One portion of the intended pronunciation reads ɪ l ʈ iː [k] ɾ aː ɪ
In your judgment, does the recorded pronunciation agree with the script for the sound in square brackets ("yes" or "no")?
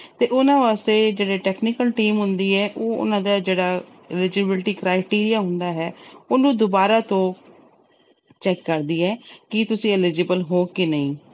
yes